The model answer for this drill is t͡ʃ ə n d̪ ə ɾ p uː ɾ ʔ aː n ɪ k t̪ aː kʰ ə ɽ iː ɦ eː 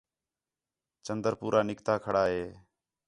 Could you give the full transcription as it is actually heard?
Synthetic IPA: t͡ʃ ə n d̪ ə ɾ p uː ɾ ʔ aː n ɪ k t̪ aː kʰ ə ɽ aː ɦ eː